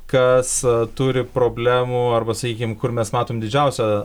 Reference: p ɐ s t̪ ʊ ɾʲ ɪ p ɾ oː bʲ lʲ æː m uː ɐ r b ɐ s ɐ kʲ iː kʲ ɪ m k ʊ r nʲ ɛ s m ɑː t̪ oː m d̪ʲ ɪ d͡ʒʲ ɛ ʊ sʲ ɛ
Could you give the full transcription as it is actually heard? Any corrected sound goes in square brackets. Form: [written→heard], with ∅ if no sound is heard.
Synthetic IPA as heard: [p→k] ɐ s t̪ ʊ ɾʲ ɪ p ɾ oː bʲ lʲ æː m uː ɐ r b ɐ s ɐ kʲ iː kʲ ɪ m k ʊ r [nʲ→mʲ] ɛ s m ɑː t̪ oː m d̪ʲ ɪ d͡ʒʲ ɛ ʊ sʲ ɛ